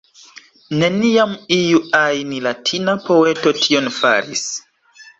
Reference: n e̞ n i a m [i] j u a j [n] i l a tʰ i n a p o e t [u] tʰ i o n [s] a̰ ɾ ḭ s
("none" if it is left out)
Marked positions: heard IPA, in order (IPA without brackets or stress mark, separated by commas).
i, n, o, f